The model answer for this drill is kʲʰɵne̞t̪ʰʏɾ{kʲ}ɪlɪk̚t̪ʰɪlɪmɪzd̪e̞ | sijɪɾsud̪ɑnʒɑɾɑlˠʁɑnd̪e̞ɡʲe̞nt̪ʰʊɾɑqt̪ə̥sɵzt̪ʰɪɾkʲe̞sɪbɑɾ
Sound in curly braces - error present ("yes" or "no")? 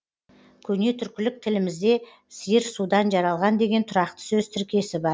no